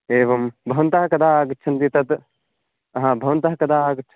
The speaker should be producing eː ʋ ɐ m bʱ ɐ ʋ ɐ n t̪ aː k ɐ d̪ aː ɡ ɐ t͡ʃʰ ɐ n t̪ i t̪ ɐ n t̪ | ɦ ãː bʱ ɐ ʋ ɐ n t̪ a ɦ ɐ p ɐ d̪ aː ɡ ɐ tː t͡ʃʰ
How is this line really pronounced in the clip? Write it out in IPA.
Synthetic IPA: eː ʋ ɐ m bʱ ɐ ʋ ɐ n t̪ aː k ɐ d̪ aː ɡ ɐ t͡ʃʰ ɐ n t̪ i t̪ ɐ t̪ | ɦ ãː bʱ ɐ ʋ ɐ n t̪ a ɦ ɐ k ɐ d̪ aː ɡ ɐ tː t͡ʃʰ